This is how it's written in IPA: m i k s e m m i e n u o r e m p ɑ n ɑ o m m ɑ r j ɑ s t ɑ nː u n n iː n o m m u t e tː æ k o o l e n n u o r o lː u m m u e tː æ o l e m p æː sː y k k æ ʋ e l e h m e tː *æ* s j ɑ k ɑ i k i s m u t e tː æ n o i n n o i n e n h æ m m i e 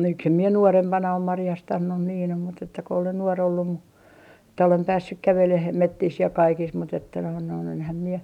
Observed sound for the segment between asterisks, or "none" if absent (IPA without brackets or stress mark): i